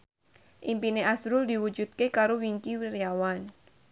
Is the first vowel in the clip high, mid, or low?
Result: high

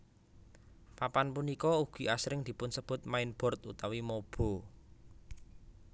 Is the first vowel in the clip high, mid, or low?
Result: low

